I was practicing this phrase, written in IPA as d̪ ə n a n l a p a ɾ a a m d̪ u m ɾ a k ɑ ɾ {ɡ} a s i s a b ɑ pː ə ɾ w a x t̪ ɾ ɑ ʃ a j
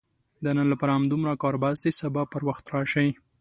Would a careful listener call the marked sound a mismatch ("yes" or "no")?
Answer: yes